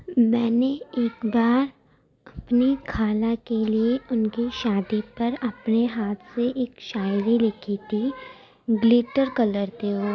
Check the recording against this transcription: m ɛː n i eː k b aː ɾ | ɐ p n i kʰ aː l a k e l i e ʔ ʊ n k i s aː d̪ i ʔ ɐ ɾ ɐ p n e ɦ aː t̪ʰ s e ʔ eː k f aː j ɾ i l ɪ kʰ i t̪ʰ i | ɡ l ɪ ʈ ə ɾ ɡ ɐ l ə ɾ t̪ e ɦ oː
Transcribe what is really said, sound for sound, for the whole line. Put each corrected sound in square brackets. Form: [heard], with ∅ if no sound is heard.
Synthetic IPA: m ɛː n [e] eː k b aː ɾ | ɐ p n i kʰ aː l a k e l i e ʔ ʊ n k i [ʃ] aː d̪ i [p] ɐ ɾ ɐ p n e ɦ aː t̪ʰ s e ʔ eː k [ʃ] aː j ɾ i l ɪ kʰ i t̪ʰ i | ɡ l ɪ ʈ ə ɾ [k] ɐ l ə ɾ t̪ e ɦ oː